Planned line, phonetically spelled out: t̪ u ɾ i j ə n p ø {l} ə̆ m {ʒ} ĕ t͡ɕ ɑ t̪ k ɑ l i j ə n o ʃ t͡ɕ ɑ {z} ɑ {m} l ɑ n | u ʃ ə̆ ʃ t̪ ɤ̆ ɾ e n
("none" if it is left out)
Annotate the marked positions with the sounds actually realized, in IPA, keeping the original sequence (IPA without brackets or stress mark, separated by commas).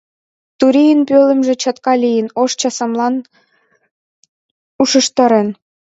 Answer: l, ʒ, s, m